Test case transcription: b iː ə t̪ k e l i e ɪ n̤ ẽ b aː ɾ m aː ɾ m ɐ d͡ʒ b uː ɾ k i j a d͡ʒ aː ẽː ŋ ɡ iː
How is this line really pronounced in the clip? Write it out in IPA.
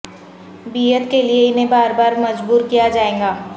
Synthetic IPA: b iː ə t̪ k e l i e ɪ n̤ ẽ b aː ɾ b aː ɾ m ɐ d͡ʒ b uː ɾ k i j a d͡ʒ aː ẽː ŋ ɡ aː